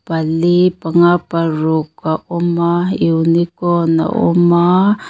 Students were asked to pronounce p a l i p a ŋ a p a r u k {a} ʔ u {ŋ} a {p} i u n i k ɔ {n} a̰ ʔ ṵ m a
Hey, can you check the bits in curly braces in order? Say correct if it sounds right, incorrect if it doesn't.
correct, incorrect, incorrect, correct

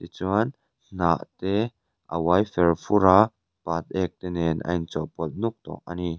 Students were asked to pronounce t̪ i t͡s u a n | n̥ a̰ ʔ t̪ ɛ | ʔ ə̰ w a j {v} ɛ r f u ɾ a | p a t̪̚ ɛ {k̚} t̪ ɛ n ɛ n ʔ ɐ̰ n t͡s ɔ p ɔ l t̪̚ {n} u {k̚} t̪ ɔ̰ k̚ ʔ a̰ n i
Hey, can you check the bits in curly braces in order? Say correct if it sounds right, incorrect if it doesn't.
incorrect, correct, correct, correct

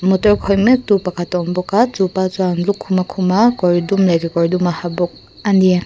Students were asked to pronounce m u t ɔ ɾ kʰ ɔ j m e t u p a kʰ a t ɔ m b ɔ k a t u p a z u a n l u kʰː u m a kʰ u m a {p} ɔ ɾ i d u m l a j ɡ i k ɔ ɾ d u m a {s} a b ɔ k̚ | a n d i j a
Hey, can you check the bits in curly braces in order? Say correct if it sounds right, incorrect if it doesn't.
incorrect, incorrect

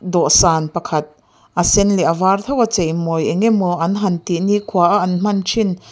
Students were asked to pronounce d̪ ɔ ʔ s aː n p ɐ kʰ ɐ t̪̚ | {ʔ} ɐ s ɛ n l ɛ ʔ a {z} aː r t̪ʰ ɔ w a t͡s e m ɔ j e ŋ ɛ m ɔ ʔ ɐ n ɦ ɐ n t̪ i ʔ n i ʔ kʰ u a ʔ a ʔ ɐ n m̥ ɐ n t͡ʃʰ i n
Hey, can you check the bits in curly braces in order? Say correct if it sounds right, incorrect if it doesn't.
correct, incorrect

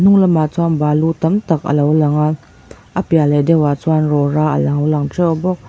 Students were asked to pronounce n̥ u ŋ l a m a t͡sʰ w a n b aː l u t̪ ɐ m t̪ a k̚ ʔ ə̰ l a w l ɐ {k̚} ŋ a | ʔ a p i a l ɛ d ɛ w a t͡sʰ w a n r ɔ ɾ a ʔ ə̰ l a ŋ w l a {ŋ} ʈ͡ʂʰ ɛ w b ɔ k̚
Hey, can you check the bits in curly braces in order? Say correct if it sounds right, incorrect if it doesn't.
incorrect, correct

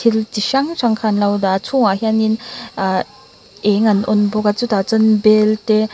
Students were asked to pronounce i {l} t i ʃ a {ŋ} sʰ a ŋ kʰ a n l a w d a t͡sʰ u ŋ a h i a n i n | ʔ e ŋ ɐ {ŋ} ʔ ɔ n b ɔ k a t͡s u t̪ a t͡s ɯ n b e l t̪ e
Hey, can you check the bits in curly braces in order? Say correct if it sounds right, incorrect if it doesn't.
correct, correct, incorrect

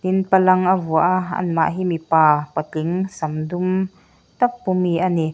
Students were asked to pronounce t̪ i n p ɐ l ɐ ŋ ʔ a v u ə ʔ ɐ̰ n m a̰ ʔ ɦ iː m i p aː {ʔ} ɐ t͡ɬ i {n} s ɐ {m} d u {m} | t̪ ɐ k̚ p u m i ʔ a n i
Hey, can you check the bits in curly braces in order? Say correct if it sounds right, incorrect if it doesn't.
incorrect, incorrect, correct, correct

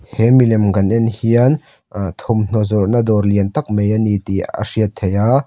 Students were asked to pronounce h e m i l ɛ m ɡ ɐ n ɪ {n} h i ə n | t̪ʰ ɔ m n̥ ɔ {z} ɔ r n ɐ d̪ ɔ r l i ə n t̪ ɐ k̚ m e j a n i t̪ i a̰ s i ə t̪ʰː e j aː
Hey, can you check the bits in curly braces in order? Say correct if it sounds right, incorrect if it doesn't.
correct, correct

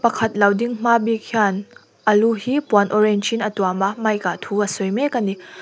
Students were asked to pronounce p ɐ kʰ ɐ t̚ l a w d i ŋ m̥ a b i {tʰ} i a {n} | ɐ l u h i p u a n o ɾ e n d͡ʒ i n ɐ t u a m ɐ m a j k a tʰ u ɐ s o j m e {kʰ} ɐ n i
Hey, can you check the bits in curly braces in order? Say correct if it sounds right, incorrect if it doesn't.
incorrect, correct, incorrect

